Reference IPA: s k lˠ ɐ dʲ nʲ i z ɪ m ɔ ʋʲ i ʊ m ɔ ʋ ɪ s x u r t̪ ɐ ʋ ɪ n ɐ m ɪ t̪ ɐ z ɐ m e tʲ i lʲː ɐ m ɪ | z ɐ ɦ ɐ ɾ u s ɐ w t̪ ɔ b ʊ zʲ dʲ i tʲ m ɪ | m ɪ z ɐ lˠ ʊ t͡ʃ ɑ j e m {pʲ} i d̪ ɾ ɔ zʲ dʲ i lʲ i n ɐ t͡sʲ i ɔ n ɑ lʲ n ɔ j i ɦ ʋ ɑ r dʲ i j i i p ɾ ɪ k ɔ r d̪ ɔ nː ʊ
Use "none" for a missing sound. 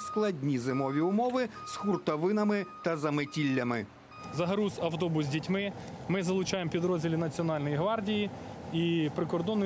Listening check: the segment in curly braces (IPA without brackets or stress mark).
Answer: pʲ